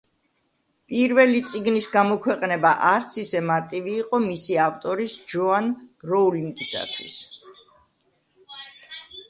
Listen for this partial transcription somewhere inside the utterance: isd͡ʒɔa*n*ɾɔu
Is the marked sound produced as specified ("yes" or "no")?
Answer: yes